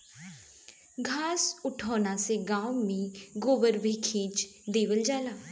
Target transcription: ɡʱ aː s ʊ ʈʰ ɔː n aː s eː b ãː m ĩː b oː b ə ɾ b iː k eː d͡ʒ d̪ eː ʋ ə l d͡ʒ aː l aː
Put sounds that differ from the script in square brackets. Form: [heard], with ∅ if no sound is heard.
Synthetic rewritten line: ɡʱ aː s ʊ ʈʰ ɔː n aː s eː [ɡ] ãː m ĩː [ɡ] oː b ə ɾ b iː [kʰ] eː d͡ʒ d̪ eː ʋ ə l d͡ʒ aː l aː

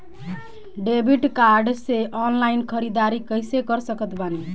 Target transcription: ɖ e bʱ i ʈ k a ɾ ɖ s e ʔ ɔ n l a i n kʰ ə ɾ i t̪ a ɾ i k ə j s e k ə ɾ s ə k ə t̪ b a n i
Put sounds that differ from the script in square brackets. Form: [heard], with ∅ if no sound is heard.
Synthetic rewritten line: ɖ e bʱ i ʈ k a ɾ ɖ s e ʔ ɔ n l a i n kʰ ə ɾ i [d̪] a ɾ i k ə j s e k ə ɾ s ə k ə t̪ b a n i

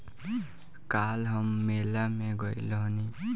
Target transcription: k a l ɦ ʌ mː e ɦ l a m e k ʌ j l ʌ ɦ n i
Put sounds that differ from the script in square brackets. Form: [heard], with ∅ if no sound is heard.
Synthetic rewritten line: k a l ɦ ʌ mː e [∅] l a m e [ɡ] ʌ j l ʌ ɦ n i

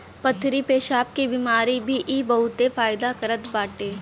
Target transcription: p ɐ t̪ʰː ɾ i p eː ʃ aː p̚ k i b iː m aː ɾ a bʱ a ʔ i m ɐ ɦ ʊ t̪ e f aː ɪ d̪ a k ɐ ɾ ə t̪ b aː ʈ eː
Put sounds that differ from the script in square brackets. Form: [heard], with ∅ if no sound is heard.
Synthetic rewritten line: p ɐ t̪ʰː ɾ i p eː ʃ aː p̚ k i b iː m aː ɾ [i] bʱ [i] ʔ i [b] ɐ ɦ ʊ t̪ e f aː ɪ d̪ a k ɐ ɾ ə t̪ b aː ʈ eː

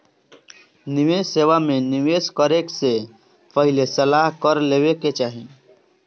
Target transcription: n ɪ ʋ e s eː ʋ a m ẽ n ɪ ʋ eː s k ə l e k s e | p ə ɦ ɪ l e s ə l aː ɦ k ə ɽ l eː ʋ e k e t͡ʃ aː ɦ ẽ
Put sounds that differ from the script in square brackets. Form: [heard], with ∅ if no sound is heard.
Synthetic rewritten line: n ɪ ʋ e s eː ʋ a m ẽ n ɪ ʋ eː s k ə [ɾ] e k s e | p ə ɦ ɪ l e s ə l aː ɦ k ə [ɾ] l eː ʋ e k e t͡ʃ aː ɦ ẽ

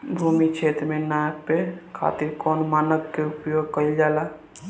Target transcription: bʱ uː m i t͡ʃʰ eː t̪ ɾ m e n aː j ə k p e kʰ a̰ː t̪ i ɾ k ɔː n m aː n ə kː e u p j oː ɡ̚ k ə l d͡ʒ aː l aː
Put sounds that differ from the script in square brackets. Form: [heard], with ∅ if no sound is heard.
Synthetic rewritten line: bʱ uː m i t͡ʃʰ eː t̪ ɾ m e n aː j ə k p e kʰ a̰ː t̪ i ɾ k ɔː n m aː n ə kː e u p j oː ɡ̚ k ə l d͡ʒ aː l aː

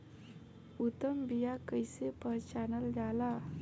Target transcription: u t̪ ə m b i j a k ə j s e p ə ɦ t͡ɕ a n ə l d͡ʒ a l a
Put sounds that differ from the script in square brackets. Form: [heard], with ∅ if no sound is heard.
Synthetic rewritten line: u t̪ ə m b i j a k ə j s e p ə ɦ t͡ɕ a n ə l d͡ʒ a l a

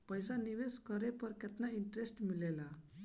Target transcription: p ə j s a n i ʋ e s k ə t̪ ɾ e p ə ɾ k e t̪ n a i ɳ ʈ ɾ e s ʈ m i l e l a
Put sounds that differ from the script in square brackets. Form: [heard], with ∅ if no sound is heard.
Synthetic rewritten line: p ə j s a n i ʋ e s k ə [∅] ɾ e p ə ɾ k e t̪ n a i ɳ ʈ ɾ e s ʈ m i l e l a

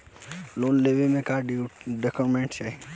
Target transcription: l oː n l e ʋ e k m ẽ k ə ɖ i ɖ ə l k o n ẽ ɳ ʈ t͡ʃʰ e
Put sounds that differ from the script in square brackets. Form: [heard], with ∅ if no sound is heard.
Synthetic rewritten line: l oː n l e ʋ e [∅] m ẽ k [a] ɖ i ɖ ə [∅] k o [m] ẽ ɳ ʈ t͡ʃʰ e

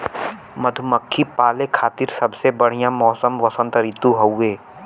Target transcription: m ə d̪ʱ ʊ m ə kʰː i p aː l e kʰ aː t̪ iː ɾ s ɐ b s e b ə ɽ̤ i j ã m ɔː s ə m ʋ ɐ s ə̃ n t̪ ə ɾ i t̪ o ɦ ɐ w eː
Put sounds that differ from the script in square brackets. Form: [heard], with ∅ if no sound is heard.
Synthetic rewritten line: m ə d̪ʱ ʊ m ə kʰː i p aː l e kʰ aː t̪ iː ɾ s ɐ b s e b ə ɽ̤ i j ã m ɔː s ə m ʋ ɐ s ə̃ n t̪ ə ɾ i t̪ [u] ɦ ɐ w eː

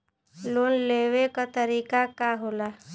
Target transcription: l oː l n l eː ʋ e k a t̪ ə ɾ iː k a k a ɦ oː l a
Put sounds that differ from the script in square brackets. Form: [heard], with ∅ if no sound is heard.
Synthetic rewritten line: l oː [∅] n l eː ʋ e k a t̪ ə ɾ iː k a k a ɦ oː l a

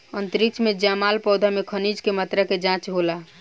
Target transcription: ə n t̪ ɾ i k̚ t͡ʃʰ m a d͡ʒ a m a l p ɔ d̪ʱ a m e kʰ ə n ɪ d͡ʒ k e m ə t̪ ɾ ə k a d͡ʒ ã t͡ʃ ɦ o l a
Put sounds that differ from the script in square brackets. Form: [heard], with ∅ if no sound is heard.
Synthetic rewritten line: ə n t̪ ɾ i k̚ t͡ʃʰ m [e] d͡ʒ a m a l p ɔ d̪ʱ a m e kʰ ə n [i] d͡ʒ k e m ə t̪ ɾ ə k [e] d͡ʒ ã t͡ʃ ɦ o l a

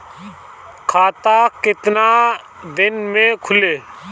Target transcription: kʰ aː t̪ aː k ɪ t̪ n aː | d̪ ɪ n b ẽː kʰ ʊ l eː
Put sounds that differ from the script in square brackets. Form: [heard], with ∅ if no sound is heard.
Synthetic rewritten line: kʰ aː t̪ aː k ɪ t̪ n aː | d̪ ɪ n [m] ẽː kʰ ʊ l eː

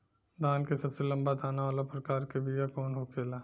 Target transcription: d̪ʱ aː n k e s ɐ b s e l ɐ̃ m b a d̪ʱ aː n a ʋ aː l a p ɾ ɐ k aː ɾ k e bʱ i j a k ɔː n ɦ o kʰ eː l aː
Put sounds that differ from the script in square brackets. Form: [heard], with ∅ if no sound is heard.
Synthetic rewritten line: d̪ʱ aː n k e s ɐ b s e l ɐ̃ m b a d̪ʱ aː n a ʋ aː l a p ɾ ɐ k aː ɾ k e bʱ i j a k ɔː n ɦ o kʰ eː l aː

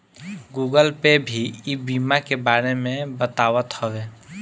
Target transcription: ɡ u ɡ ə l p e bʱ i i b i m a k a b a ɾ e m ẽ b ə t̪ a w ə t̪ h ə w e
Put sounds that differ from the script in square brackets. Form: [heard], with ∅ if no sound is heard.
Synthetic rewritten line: ɡ u ɡ ə l p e bʱ i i b i m a k [e] b a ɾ e m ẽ b ə t̪ a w ə t̪ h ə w e

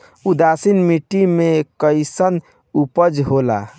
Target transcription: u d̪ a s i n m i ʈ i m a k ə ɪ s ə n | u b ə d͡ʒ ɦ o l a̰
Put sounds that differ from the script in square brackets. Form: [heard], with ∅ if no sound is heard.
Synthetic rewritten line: u d̪ a s i n m i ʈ i m [e] k ə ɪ s ə n | u [p] ə d͡ʒ ɦ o l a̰

